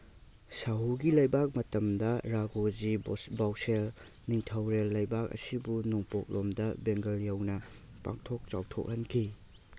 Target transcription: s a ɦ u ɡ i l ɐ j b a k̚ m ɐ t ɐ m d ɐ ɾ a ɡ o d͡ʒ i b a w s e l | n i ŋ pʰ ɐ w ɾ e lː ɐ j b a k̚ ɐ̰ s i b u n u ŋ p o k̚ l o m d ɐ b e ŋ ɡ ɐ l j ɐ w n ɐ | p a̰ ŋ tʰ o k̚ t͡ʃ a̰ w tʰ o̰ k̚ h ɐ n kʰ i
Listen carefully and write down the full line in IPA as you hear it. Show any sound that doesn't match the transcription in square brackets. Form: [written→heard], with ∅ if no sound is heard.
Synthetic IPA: s a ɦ u ɡ i l ɐ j b a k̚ m ɐ t ɐ m d ɐ ɾ a ɡ o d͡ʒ i b a w s e l | n i ŋ [pʰ→tʰ] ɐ w ɾ e lː ɐ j b a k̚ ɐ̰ s i b u n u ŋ p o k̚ l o m d ɐ b e ŋ ɡ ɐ l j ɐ w n ɐ | p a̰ ŋ tʰ o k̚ t͡ʃ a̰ w tʰ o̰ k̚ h ɐ n kʰ i